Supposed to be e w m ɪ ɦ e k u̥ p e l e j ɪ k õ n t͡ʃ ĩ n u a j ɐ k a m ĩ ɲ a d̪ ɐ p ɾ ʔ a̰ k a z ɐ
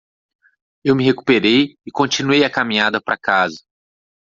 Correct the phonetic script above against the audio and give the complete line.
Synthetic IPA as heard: e w m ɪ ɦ e k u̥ p e ɾ e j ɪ k õ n t͡ʃ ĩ n u e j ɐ k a m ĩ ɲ a d̪ ɐ p ɾ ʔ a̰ k a z ɐ